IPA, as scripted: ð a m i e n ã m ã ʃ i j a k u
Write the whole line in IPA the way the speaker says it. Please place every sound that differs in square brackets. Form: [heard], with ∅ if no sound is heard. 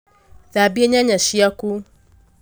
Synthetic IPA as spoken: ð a [b] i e [ɲ] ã [ɲ] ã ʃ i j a k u